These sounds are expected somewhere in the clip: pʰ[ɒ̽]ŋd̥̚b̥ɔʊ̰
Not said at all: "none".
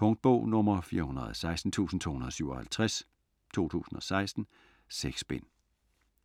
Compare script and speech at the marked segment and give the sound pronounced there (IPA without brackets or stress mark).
ɔ̽